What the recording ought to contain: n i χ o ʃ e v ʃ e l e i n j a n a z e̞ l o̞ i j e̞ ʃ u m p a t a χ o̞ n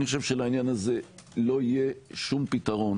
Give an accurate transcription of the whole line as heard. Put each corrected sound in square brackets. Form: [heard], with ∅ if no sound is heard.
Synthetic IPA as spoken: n i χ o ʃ e v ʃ e l [a] i n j a n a z e̞ l o̞ i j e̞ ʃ u m p [i] t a [ʁ] o̞ n

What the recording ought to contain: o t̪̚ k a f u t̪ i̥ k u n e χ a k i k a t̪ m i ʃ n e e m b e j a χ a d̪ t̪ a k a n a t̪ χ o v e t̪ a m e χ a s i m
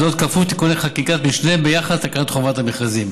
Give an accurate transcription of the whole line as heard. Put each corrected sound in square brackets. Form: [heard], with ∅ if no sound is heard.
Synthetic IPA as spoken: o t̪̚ k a f u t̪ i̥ k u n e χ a k i k a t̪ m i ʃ n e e m b e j a χ a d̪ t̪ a k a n a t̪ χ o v [a] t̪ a m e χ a [z] i m

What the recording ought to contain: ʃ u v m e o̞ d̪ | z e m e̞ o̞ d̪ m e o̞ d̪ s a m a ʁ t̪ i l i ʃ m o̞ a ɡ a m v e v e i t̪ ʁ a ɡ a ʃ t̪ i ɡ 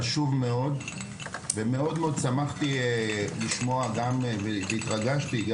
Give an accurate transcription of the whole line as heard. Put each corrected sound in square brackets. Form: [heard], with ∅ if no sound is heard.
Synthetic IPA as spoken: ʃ u v m e o̞ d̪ | [v] e m e̞ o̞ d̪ m e o̞ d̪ s a m a [χ] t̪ i l i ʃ m o̞ a ɡ a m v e v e i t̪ ʁ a ɡ a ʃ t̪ i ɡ

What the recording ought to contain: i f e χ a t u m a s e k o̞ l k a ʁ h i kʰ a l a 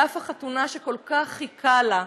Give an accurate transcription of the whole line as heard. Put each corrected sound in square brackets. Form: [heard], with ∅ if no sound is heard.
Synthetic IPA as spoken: [a] f [a] χ a t u [n] a [ʃ] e k o̞ l k a [χ] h i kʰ a l a

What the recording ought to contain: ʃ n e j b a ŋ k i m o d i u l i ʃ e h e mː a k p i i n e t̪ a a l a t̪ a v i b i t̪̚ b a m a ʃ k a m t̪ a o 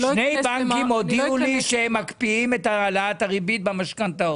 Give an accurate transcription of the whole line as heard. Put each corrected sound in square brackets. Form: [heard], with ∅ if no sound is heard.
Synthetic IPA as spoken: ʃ n e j b a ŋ k i m o d i u l i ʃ e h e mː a k p i i [m] e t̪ a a l a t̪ a [ʁ] i b i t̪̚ b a m a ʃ k a [n] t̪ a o

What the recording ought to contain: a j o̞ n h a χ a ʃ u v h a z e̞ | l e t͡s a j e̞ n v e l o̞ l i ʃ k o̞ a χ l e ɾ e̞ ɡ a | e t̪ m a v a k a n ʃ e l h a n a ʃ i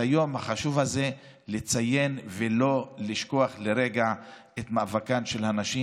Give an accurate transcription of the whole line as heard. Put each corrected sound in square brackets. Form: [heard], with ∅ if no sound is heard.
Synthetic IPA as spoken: a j o̞ [m] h a χ a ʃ u v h a z e̞ | l e t͡s a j e̞ n v e l o̞ l i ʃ k o̞ a χ l e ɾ e̞ ɡ a | e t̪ m a v a k a n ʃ e l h a n a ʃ i

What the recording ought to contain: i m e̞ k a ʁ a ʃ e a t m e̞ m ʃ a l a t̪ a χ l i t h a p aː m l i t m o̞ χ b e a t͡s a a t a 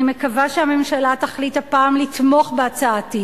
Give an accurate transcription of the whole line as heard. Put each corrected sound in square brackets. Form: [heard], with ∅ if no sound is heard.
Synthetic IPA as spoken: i m e̞ k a [v] a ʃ e a [∅] m e̞ m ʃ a l a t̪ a χ l i t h a p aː m l i t m o̞ χ b e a t͡s a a t [i]

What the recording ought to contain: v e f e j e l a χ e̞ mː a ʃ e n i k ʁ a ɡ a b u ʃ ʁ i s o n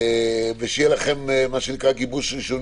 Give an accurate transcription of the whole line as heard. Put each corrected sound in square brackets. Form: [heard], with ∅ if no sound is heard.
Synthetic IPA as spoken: v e [ʃ] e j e l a χ e̞ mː a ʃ e n i k ʁ a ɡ [i] b u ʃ ʁ i [ʃ] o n

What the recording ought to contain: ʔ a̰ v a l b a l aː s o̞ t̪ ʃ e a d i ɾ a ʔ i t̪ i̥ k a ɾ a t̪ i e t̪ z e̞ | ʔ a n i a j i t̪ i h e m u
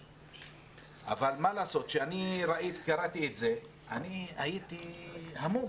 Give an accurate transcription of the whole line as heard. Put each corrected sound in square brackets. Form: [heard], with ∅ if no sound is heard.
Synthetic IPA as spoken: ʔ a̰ v a l [m] a l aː s o̞ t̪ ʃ e a [n] i ɾ a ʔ i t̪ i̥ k a ɾ a t̪ i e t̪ z e̞ | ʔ a n i a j i t̪ i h [a] m u

